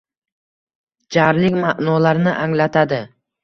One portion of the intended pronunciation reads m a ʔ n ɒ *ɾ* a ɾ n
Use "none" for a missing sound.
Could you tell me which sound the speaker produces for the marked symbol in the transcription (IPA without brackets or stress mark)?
l